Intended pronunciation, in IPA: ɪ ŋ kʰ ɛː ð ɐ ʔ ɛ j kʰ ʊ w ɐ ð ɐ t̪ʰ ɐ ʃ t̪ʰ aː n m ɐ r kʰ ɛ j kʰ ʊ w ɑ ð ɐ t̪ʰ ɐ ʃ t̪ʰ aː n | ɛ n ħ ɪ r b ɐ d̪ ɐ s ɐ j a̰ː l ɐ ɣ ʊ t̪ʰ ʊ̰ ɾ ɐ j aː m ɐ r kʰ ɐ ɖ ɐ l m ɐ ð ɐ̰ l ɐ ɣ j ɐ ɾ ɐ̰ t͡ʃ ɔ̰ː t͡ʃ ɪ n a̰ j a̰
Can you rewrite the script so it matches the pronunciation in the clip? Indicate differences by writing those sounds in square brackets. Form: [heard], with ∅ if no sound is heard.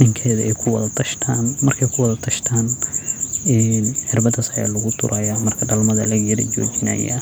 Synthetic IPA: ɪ ŋ kʰ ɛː ð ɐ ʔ ɛ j kʰ ʊ w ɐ ð ɐ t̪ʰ ɐ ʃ t̪ʰ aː n m ɐ r kʰ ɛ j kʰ ʊ w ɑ ð ɐ t̪ʰ ɐ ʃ t̪ʰ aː n | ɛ n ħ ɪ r b ɐ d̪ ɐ s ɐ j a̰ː l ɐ ɣ ʊ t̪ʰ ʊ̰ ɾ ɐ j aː m ɐ r kʰ ɐ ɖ ɐ l m ɐ ð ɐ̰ l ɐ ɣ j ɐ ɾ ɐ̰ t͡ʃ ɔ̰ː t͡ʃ ɪ n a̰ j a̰